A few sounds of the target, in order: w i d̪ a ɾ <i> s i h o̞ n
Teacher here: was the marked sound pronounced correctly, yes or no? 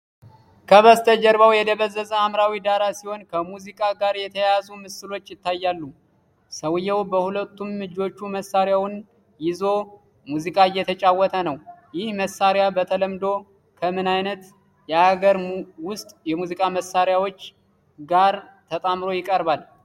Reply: no